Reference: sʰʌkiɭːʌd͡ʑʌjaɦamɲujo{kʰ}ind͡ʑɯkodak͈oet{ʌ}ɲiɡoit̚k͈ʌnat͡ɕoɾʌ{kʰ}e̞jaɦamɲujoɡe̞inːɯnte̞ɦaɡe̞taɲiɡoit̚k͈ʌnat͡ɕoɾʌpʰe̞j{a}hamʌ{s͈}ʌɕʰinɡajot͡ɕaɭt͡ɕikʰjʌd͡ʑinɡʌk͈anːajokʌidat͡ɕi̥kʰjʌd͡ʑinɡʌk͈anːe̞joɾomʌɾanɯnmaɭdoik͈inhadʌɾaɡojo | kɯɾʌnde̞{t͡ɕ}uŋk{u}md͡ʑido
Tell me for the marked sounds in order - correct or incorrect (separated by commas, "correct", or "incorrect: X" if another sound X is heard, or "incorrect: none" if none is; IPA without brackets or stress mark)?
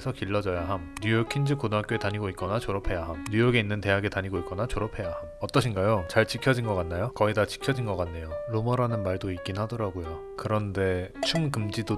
correct, incorrect: a, incorrect: pʰ, correct, incorrect: t͈, incorrect: t͡ɕʰ, incorrect: ɯ